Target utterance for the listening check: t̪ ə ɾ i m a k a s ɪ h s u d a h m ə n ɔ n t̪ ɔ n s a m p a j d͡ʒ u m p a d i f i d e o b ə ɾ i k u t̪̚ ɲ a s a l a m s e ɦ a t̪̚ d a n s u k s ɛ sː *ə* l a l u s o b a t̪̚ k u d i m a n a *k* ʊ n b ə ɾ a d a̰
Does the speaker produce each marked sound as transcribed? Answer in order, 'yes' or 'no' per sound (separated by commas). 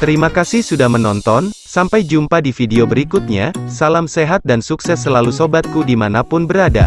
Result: yes, no